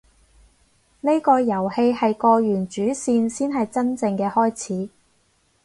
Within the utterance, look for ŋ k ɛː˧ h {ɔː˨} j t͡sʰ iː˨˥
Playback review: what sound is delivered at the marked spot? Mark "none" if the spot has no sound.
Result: ɔː˥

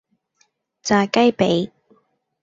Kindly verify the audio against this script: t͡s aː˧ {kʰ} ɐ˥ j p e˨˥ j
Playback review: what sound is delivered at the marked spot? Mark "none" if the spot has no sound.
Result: k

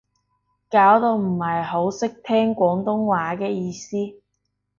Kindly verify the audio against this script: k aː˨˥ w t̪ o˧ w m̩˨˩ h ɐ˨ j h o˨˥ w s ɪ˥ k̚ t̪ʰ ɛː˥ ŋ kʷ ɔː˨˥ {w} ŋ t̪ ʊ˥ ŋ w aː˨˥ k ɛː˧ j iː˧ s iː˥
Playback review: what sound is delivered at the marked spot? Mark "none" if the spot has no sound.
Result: none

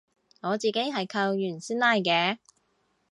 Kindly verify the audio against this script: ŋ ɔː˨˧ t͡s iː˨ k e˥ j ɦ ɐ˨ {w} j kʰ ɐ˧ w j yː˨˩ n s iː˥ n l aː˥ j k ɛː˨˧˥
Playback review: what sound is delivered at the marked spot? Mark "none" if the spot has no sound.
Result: none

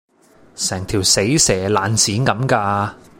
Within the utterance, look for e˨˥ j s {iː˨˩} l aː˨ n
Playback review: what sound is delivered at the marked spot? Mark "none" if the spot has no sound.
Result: ɛː˨˩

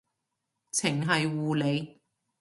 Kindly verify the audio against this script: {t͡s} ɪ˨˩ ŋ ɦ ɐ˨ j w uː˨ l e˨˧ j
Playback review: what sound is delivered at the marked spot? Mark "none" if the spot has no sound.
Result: t͡sʰ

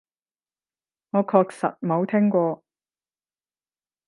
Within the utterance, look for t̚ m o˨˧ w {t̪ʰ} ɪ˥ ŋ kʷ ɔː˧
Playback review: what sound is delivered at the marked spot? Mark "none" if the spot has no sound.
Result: t̪ʰ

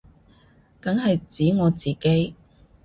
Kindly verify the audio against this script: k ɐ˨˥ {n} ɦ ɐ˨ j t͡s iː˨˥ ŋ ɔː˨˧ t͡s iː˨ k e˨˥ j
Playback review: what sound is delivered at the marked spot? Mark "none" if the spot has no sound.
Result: ŋ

